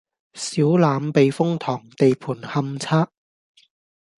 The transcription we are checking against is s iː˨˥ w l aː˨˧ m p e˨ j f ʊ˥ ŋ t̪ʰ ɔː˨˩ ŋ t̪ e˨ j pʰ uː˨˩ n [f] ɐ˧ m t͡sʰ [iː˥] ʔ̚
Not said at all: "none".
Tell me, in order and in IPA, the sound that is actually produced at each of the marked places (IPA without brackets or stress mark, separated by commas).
h, aː˥